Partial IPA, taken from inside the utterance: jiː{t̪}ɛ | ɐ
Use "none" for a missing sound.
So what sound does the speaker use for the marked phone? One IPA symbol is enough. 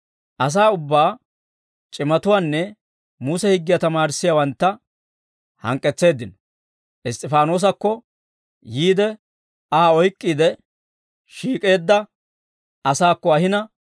d̪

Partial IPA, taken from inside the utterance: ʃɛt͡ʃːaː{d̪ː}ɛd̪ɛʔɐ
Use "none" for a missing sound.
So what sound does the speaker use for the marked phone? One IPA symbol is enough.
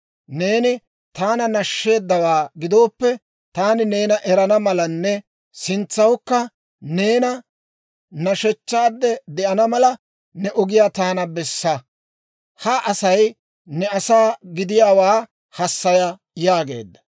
d̪ː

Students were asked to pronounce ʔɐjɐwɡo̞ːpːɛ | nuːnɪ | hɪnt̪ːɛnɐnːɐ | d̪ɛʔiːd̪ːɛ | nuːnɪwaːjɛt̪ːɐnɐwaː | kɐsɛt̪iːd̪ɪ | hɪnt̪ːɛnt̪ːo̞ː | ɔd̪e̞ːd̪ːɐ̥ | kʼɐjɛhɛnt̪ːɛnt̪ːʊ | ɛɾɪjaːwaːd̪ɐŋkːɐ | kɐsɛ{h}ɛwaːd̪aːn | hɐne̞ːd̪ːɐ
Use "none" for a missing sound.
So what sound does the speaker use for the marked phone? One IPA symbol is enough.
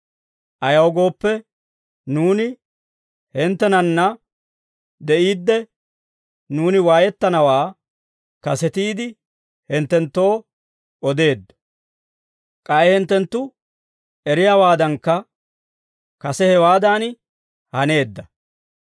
h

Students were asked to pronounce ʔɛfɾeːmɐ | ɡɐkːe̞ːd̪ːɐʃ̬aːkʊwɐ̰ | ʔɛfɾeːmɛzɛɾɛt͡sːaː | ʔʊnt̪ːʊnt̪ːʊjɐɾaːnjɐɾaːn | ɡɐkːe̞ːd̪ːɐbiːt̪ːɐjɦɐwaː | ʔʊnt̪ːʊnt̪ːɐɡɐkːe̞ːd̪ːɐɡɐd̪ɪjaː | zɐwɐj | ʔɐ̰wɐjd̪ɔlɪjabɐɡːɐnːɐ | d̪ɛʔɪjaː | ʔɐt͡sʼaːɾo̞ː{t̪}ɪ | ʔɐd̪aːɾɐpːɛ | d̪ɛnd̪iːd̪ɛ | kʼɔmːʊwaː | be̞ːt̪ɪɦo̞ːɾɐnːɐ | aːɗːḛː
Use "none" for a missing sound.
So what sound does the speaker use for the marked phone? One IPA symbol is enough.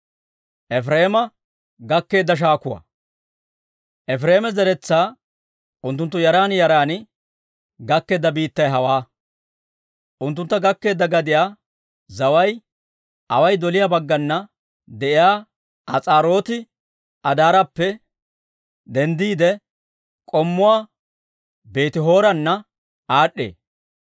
t̪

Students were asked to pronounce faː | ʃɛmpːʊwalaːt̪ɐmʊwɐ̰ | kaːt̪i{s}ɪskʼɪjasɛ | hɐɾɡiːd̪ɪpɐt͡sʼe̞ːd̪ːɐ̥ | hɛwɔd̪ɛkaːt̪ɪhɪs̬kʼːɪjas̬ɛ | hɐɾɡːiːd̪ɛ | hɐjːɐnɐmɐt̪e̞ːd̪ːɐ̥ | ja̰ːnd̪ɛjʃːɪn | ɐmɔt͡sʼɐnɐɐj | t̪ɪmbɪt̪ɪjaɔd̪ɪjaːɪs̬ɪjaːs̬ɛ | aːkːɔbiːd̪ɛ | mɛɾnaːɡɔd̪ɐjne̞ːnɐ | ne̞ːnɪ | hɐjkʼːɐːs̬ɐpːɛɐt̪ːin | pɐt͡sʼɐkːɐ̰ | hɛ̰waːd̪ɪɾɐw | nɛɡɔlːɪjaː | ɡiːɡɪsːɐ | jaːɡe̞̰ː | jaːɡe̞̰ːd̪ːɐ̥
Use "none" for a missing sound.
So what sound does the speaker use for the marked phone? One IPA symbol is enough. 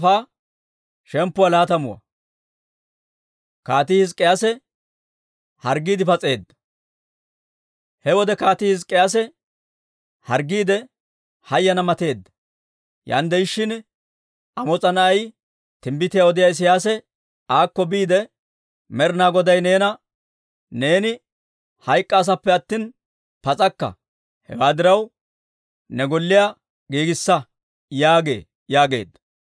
h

